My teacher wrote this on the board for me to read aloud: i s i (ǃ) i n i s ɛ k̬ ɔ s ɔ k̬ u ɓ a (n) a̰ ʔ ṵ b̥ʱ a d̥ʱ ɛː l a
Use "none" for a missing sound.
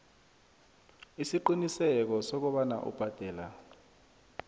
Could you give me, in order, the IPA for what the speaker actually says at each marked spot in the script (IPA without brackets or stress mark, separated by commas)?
ǃ, n